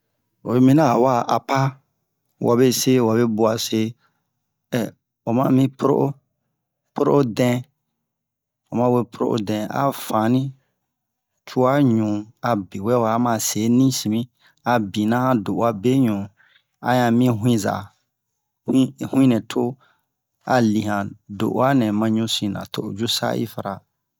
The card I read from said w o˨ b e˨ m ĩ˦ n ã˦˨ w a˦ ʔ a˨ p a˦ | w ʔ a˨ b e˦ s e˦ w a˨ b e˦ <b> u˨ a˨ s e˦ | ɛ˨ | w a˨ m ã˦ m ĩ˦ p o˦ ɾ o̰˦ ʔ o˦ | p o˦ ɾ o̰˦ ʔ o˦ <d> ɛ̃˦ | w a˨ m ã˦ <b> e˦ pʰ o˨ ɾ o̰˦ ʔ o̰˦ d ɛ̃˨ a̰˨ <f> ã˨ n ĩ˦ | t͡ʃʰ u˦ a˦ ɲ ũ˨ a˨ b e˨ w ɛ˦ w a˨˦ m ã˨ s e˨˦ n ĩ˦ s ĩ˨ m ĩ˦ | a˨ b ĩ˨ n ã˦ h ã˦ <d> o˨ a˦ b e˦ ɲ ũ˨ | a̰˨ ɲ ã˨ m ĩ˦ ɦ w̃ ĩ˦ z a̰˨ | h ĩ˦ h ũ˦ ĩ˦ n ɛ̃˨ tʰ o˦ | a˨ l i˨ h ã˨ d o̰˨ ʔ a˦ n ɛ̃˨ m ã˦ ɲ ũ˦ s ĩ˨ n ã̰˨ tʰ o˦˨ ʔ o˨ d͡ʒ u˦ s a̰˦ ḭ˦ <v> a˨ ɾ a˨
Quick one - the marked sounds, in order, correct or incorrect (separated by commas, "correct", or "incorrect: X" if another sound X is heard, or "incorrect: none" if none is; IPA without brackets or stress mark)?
correct, correct, incorrect: w, correct, correct, incorrect: f